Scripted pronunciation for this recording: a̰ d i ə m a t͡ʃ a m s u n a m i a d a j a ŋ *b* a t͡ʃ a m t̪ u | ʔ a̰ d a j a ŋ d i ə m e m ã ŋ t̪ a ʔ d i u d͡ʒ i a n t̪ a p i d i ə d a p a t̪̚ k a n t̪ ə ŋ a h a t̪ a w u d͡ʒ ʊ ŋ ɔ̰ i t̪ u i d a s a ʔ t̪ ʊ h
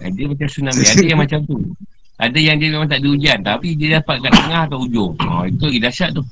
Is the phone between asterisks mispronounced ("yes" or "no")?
yes